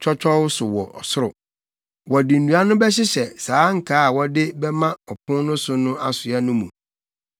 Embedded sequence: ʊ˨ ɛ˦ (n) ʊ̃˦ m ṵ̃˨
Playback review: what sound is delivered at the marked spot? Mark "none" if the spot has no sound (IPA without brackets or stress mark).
n